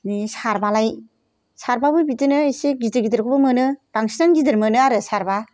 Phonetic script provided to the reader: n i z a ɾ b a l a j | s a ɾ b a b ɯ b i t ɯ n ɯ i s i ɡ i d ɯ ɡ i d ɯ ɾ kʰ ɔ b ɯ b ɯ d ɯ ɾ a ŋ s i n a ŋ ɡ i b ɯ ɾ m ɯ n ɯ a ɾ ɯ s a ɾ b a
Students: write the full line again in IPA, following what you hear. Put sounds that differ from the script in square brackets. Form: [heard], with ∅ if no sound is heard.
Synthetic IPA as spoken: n i [s] a ɾ b a l a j | s a ɾ b a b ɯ b i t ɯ n ɯ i s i ɡ i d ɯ ɡ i d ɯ ɾ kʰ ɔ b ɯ [m] ɯ [n] ɯ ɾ a ŋ s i n a ŋ ɡ i [d] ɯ ɾ m ɯ n ɯ a ɾ ɯ s a ɾ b a